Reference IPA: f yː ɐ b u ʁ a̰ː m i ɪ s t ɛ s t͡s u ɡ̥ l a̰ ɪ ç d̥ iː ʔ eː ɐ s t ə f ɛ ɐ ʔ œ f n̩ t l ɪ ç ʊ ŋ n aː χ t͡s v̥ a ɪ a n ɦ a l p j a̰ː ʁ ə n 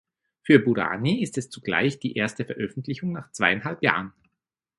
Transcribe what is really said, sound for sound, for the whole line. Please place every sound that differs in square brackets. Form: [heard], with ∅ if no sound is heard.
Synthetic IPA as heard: f yː ɐ b u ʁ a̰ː [n] i ɪ s t ɛ s t͡s u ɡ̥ l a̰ ɪ ç d̥ iː ʔ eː ɐ s t ə f ɛ ɐ ʔ œ f n̩ t l ɪ ç ʊ ŋ n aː χ t͡s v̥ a ɪ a n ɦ a l p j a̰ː ʁ ə n